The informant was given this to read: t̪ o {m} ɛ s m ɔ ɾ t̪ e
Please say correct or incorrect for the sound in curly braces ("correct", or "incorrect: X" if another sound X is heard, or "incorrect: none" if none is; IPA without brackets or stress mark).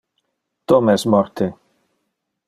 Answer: correct